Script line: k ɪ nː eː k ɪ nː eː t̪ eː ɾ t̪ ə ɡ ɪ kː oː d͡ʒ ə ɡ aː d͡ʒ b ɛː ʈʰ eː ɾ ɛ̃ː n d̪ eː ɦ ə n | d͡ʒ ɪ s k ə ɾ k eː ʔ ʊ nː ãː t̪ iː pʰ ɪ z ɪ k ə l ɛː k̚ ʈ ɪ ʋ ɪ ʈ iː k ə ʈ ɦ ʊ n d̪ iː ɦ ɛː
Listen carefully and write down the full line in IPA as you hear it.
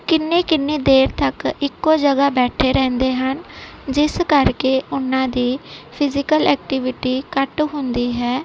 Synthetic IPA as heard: k ɪ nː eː k ɪ nː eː d̪ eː ɾ t̪ ə k ɪ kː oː d͡ʒ ə ɡ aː b ɛː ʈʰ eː ɾ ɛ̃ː n d̪ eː ɦ ə n | d͡ʒ ɪ s k ə ɾ k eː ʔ ʊ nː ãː d̪ iː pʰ ɪ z ɪ k ə l ɛː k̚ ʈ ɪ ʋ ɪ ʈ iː k ə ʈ ɦ ʊ n d̪ iː ɦ ɛː

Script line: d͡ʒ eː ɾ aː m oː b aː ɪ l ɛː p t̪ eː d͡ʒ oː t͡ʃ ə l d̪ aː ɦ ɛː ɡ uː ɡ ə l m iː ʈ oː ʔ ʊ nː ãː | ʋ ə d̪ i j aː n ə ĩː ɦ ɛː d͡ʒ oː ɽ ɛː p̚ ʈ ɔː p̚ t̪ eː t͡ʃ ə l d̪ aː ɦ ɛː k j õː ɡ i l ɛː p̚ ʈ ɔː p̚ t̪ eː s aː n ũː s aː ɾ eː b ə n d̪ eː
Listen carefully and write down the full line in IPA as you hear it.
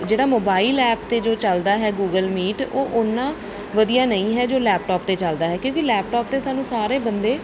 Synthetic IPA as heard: d͡ʒ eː ɽ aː m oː b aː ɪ l ɛː p t̪ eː d͡ʒ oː t͡ʃ ə l d̪ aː ɦ ɛː ɡ uː ɡ ə l m iː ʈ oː ʔ ʊ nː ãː | ʋ ə d̪ i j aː n ə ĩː ɦ ɛː d͡ʒ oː l ɛː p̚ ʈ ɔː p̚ t̪ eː t͡ʃ ə l d̪ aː ɦ ɛː k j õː k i l ɛː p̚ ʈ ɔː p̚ t̪ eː s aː n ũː s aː ɾ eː b ə n d̪ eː

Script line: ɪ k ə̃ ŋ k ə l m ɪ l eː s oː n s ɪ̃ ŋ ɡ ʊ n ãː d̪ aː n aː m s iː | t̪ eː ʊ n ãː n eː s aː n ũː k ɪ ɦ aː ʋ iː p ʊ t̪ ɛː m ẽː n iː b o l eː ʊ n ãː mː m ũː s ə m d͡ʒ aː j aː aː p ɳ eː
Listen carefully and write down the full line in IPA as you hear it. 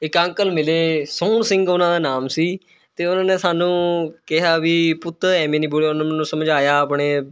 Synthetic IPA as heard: ɪ k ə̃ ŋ k ə l m ɪ l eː s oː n s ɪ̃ ŋ ɡ ʊ n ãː d̪ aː n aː m s iː | t̪ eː ʊ n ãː n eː s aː n ũː k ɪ ɦ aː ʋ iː p ʊ t̪ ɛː m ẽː n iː b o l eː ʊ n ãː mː n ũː s ə m d͡ʒ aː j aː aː p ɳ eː

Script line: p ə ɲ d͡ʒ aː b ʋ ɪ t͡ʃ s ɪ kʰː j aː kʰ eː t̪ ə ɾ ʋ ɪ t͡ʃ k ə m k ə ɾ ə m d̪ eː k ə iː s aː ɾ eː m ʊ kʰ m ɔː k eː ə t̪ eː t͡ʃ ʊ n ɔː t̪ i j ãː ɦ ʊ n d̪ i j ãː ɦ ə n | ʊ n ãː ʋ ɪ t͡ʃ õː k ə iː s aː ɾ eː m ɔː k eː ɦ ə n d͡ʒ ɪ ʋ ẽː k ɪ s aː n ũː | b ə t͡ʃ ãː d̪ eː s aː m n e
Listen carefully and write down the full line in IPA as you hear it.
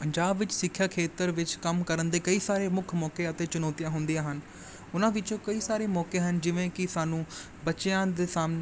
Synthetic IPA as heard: p ə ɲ d͡ʒ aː b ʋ ɪ t͡ʃ s ɪ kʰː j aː kʰ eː t̪ ə ɾ ʋ ɪ t͡ʃ k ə m k ə ɾ ə n d̪ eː k ə iː s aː ɾ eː m ʊ kʰ m ɔː k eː ə t̪ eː t͡ʃ ʊ n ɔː t̪ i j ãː ɦ ʊ n d̪ i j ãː ɦ ə n | ʊ n ãː ʋ ɪ t͡ʃ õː k ə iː s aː ɾ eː m ɔː k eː ɦ ə n d͡ʒ ɪ ʋ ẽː k ɪ s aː n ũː | b ə t͡ʃ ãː d̪ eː s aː m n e

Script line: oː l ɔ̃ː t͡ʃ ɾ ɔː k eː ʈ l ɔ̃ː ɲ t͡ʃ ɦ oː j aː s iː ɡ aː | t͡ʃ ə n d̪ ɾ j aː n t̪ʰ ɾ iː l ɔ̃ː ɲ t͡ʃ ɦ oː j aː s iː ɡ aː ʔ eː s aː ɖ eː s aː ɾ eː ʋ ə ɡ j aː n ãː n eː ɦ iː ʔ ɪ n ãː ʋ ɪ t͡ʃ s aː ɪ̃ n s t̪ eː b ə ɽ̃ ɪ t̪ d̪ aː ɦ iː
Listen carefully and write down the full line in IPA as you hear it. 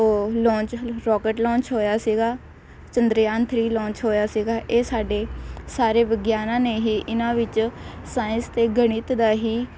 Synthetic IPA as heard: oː l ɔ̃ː t͡ʃ ɾ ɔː k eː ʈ l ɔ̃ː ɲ t͡ʃ ɦ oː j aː s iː ɡ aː | t͡ʃ ə n d̪ ɾ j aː n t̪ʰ ɾ iː l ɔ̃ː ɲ t͡ʃ ɦ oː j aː s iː ɡ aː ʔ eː s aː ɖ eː s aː ɾ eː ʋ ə ɡ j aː n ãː n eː ɦ iː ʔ ɪ n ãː ʋ ɪ t͡ʃ s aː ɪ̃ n s t̪ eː ɡ ə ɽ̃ ɪ t̪ d̪ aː ɦ iː

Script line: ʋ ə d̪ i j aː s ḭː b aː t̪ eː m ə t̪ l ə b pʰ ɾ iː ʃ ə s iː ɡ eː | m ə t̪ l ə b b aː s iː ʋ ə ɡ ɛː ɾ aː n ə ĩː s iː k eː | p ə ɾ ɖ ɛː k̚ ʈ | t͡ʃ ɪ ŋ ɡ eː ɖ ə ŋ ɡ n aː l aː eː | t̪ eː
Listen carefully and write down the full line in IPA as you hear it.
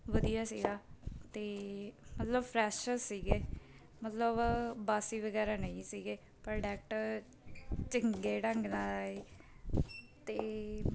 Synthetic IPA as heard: ʋ ə d̪ i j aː s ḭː ɡ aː t̪ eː m ə t̪ l ə b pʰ ɾ ɛː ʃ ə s iː ɡ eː | m ə t̪ l ə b b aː s iː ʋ ə ɡ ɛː ɾ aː n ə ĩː s iː ɡ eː | p ə ɾ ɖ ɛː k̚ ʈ | t͡ʃ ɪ ŋ ɡ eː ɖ ə ŋ ɡ n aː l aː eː | t̪ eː

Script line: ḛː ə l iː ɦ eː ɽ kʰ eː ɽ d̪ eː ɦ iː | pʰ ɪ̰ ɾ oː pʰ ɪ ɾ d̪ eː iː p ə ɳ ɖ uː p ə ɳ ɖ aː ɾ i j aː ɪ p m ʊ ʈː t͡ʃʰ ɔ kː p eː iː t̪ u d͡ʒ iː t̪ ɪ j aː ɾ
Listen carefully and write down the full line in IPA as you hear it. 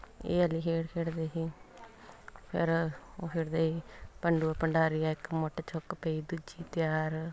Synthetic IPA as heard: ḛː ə l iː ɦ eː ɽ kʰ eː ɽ d̪ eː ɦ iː | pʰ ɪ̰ ɾ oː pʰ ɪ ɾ d̪ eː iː p ə ɳ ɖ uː p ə ɳ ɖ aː ɾ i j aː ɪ k m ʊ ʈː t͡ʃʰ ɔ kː p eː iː d̪ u d͡ʒ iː t̪ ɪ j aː ɾ

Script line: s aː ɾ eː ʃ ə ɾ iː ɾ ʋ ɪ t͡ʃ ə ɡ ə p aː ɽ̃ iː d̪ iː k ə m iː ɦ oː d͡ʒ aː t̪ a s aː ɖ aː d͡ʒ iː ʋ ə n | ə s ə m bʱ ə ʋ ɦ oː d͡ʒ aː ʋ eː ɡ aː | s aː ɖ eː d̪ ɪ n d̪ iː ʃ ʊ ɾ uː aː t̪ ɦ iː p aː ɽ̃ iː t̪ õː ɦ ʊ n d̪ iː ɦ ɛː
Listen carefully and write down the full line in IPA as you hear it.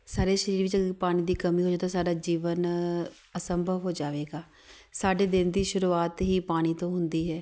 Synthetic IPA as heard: s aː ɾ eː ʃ ə ɾ iː ɾ ʋ ɪ t͡ʃ ə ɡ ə p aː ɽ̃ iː d̪ iː k ə m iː ɦ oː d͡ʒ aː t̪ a s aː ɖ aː d͡ʒ iː ʋ ə n | ə s ə m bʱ ə ʋ ɦ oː d͡ʒ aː ʋ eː ɡ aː | s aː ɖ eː d̪ ɪ n d̪ iː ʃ ʊ ɾ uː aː t̪ ɦ iː p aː ɽ̃ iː t̪ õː ɦ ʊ n d̪ iː ɦ ɛː

